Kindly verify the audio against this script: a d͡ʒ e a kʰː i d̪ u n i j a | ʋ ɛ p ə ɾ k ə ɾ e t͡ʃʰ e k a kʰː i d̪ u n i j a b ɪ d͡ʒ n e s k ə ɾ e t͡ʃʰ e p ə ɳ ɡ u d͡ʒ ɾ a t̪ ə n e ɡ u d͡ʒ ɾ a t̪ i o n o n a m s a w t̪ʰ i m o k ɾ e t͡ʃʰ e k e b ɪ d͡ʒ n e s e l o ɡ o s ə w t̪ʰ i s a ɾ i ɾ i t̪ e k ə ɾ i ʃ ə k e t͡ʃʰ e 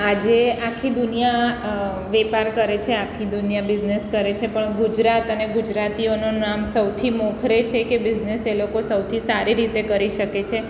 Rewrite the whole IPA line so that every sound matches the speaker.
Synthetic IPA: a d͡ʒ e a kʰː i d̪ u n i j a | ʋ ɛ p a ɾ k ə ɾ e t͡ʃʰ e a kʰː i d̪ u n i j a b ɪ d͡ʒ n e s k ə ɾ e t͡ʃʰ e p ə ɳ ɡ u d͡ʒ ɾ a t̪ ə n e ɡ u d͡ʒ ɾ a t̪ i o n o n a m s ə w t̪ʰ i m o kʰ ɾ e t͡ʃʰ e k e b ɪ d͡ʒ n e s e l o k o s ə w t̪ʰ i s a ɾ i ɾ i t̪ e k ə ɾ i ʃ ə k e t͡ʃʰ e

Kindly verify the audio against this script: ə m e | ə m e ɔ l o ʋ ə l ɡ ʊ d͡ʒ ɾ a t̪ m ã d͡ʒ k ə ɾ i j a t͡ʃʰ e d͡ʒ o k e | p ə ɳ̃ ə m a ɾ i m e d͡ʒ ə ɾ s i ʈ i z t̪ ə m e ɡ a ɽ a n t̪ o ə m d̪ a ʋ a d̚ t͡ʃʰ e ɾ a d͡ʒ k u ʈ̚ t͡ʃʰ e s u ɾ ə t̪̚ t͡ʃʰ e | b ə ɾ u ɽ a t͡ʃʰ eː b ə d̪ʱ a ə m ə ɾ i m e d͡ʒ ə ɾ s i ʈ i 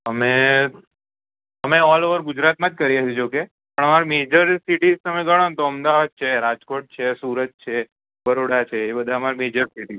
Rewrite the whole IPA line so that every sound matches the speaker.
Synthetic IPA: ə m e | ə m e ɔ l o ʋ ə ɾ ɡ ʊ d͡ʒ ɾ a t̪ m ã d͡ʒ k ə ɾ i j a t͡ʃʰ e d͡ʒ o k e | p ə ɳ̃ ə m a ɾ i m e d͡ʒ ə ɾ s i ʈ i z t̪ ə m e ɡ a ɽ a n t̪ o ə m d̪ a ʋ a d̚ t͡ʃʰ e ɾ a d͡ʒ k o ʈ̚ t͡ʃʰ e s u ɾ ə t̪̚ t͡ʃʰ e | b ə ɾ o ɽ a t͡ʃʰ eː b ə d̪ʱ a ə m a ɾ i m e d͡ʒ ə ɾ s i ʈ i

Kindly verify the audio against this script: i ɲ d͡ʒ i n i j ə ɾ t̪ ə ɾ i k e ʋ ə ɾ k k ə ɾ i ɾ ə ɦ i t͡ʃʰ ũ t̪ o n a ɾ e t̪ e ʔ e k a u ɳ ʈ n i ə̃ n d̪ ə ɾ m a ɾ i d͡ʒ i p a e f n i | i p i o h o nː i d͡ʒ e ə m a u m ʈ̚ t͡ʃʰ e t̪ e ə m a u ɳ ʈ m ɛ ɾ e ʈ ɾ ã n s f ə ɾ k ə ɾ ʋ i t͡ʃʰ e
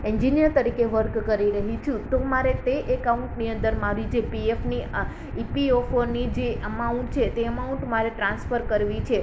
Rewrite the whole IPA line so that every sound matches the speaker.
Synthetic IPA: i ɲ d͡ʒ i n i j ə ɾ t̪ ə ɾ i k e ʋ ə ɾ k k ə ɾ i ɾ ə ɦ i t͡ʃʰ ũ t̪ o m a ɾ e t̪ e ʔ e k a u ɳ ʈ n i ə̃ n d̪ ə ɾ m a ɾ i d͡ʒ e p i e f n i | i p i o f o n i d͡ʒ e ə m a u ɳ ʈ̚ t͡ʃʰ e t̪ e ə m a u ɳ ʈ m a ɾ e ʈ ɾ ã n s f ə ɾ k ə ɾ ʋ i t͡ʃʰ e

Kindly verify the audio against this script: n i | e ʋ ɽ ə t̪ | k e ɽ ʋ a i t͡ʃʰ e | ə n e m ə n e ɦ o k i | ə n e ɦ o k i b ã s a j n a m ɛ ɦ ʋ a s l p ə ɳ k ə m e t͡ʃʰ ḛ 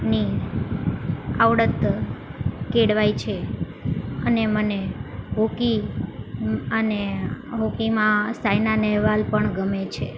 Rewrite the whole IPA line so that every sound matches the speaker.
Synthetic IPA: n i | a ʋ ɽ ə t̪ | k e ɽ ʋ a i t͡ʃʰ e | ə n e m ə n e ɦ o k i | ə n e ɦ o k i m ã s a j n a n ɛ ɦ ʋ a l p ə ɳ ɡ ə m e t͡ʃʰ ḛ

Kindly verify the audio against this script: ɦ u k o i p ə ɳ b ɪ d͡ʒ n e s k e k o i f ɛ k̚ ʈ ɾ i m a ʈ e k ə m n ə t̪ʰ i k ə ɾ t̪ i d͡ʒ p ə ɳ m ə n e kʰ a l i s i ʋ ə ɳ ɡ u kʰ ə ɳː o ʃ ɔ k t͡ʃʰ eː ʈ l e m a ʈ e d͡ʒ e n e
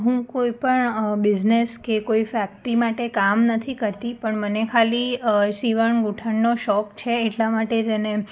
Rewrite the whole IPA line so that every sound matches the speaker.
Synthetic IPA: ɦ ũ k o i p ə ɳ b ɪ d͡ʒ n e s k e k o i f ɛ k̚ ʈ ɾ i m a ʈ e k a m n ə t̪ʰ i k ə ɾ t̪ i p ə ɳ m ə n e kʰ a l i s i ʋ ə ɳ ɡ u ʈʰ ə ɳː o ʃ ɔ k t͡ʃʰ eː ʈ l a m a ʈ e d͡ʒ e n e

